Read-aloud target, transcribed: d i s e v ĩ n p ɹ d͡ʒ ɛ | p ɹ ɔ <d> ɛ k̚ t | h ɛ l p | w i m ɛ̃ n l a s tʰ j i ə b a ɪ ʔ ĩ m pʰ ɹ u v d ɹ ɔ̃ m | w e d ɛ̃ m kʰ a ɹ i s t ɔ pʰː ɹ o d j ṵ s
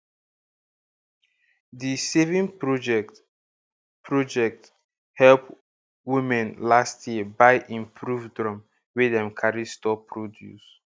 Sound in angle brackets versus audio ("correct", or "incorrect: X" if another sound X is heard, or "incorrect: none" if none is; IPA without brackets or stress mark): incorrect: d͡ʒ